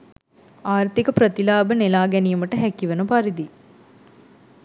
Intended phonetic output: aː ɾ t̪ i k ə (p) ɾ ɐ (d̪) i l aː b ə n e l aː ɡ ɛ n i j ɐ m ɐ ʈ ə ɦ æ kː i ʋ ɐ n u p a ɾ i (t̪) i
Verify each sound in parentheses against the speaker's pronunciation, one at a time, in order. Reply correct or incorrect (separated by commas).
correct, incorrect, incorrect